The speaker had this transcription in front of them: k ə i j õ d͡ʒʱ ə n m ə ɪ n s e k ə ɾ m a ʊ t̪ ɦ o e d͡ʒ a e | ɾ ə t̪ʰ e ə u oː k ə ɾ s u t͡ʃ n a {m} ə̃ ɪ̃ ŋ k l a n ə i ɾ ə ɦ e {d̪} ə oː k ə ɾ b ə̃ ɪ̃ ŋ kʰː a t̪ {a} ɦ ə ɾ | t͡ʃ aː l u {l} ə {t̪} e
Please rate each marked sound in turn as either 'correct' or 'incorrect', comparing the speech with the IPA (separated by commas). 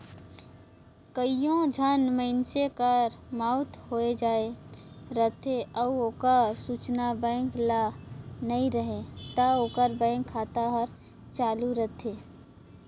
incorrect, incorrect, correct, incorrect, incorrect